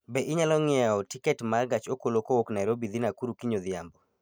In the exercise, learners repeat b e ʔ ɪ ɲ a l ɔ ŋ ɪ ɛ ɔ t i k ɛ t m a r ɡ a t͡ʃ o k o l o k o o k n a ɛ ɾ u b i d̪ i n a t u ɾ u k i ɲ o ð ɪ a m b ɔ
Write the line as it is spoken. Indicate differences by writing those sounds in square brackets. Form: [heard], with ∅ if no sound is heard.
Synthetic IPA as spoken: b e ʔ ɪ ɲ a l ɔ ŋ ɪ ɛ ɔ t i k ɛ t m a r ɡ a t͡ʃ o k o l o k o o k n a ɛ ɾ [o] b i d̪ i n a [k] u ɾ u k i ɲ o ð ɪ a m b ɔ